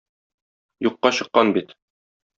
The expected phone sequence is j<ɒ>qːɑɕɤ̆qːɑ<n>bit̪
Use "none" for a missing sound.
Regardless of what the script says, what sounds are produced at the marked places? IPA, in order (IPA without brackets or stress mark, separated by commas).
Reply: u, n